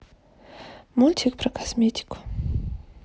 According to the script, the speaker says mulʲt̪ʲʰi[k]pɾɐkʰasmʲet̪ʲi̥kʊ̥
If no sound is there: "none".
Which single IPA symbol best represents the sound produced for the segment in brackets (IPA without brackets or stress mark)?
k